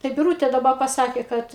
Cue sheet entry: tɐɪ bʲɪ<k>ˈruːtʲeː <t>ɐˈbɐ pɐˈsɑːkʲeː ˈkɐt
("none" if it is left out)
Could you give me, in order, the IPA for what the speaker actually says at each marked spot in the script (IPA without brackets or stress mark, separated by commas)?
none, d